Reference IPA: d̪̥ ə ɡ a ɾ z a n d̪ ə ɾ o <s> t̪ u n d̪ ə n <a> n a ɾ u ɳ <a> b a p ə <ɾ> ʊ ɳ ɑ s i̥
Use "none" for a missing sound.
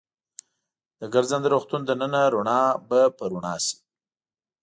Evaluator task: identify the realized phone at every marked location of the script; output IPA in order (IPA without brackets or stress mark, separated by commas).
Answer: x, ə, ɑ, ɾ